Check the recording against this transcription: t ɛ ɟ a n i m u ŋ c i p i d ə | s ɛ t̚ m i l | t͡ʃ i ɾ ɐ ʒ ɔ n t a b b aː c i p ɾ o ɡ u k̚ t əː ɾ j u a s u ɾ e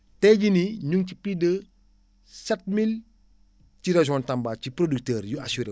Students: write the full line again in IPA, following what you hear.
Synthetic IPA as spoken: t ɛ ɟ i n i ɲ u ŋ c i p i d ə | s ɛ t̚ m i l | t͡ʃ i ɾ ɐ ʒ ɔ n t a m b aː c i p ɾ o d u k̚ t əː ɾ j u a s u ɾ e